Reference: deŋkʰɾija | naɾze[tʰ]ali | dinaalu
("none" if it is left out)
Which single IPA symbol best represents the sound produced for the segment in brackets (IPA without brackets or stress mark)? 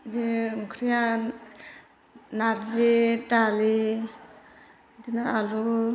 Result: t